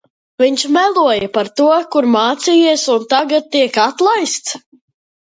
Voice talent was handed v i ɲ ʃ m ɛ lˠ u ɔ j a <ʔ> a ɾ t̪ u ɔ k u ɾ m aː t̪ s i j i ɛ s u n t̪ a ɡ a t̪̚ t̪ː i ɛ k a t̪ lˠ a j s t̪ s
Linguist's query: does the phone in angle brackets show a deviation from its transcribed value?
yes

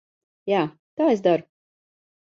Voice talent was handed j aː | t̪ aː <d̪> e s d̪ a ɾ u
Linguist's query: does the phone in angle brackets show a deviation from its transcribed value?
yes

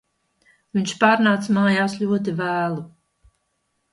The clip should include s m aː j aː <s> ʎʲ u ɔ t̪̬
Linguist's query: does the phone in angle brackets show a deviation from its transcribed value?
no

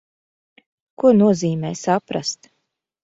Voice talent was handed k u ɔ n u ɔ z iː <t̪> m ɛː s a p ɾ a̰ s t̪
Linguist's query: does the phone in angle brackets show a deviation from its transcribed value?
yes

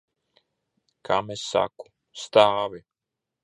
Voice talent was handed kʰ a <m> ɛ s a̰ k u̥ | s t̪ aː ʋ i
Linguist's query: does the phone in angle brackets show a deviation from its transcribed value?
no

